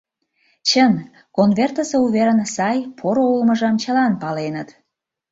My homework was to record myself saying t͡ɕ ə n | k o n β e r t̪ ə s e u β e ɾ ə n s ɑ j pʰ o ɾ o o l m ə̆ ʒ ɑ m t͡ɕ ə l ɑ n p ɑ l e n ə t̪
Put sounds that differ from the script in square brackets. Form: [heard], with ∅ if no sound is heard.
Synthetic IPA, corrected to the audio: t͡ɕ ə n | k o n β e r t̪ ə s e u β e ɾ ə n s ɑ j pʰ o ɾ o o l m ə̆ ʒ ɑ m t͡ɕ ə l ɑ n p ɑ l e n ə t̪